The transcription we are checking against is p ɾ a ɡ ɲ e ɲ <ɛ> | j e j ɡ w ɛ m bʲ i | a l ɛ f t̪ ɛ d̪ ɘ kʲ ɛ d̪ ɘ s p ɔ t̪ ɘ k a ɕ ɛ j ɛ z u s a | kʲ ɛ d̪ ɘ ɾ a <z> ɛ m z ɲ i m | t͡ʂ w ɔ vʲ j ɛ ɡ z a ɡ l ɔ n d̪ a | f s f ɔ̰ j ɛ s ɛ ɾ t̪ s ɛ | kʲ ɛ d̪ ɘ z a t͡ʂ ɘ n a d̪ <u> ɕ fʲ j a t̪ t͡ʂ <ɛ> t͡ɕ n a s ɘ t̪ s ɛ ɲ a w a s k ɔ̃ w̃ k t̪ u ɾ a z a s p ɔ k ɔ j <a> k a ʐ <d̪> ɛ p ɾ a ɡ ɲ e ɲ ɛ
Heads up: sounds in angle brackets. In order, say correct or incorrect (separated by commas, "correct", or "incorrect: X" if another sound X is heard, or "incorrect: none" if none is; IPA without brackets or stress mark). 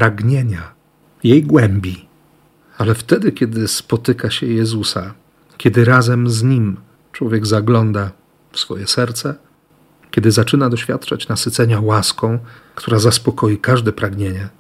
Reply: incorrect: a, correct, incorrect: ɔ, incorrect: a, incorrect: i, correct